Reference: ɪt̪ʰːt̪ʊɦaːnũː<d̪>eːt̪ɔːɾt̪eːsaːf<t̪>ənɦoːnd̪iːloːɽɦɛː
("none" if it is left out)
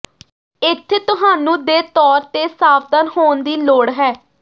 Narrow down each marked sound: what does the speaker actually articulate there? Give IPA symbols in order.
d̪, d̪

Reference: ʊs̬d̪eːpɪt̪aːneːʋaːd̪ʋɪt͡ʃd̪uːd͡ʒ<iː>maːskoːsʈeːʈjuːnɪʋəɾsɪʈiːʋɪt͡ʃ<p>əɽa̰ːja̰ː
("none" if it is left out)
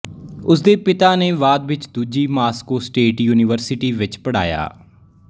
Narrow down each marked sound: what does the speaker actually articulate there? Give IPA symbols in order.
iː, p

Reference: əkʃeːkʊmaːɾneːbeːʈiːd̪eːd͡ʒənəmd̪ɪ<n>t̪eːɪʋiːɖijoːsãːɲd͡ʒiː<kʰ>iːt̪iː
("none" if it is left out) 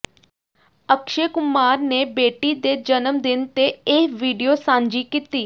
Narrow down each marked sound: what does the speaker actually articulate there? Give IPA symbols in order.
n, k

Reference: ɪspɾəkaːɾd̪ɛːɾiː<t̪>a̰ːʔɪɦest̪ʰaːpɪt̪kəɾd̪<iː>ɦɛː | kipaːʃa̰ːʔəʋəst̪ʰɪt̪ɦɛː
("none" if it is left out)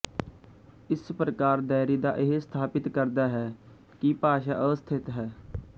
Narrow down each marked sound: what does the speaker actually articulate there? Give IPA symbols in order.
d̪, aː

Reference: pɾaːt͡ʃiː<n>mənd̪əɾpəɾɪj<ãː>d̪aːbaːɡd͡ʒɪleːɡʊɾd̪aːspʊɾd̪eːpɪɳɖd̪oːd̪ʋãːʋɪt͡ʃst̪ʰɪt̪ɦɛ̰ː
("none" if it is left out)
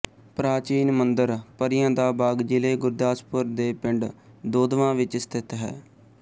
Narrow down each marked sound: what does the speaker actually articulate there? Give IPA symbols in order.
n, ãː

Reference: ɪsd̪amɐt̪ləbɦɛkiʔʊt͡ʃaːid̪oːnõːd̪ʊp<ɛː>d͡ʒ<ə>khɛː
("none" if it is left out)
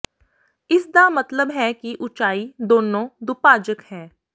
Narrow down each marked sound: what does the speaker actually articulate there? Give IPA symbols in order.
aː, ə

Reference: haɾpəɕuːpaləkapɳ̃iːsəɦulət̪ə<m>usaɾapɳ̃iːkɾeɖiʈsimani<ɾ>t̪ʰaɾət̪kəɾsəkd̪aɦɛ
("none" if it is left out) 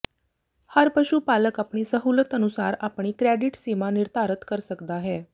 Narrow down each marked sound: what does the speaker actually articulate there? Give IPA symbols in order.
n, ɾ

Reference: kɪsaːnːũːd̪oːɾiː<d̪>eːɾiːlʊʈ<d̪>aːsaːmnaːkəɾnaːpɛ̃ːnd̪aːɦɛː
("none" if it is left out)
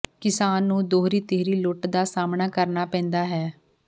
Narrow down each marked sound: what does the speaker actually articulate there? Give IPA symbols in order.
t̪, d̪

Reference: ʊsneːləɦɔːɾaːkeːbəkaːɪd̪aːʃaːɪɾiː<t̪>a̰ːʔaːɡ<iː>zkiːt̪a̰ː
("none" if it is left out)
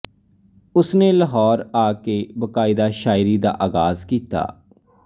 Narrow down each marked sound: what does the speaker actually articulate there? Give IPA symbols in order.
d̪, aː

